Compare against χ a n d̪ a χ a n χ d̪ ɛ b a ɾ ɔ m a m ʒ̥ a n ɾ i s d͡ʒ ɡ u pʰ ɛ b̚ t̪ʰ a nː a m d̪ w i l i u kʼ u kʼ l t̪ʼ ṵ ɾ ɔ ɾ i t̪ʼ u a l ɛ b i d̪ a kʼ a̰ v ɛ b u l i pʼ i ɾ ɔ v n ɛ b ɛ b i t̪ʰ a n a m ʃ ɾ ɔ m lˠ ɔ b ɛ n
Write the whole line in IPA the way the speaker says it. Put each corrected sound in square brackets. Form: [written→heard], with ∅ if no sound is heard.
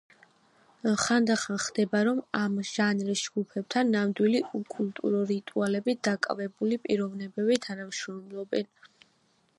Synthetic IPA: χ a n d̪ a χ a n χ d̪ ɛ b a ɾ ɔ m a m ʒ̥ a n ɾ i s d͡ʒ ɡ u pʰ ɛ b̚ t̪ʰ a nː a m d̪ w i l i u kʼ u [kʼ→∅] l t̪ʼ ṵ ɾ ɔ ɾ i t̪ʼ u a l ɛ b i d̪ a kʼ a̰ v ɛ b u l i pʼ i ɾ ɔ v n ɛ b ɛ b i t̪ʰ a n a m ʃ ɾ ɔ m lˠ ɔ b ɛ n